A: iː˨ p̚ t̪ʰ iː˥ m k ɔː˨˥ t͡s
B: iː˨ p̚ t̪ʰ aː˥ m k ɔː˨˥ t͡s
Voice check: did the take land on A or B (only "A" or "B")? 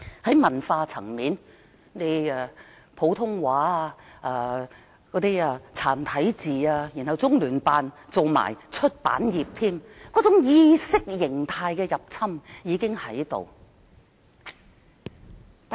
A